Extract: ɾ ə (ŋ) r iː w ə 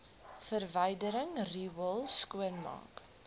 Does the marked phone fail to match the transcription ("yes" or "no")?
no